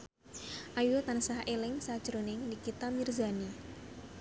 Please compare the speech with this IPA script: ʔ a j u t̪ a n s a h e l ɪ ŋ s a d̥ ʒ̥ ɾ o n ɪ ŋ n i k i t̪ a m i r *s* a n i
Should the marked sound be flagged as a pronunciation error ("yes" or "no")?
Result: yes